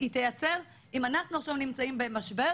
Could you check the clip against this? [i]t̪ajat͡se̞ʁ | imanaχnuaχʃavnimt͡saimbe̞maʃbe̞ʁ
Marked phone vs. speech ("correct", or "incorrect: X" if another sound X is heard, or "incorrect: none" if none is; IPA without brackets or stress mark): correct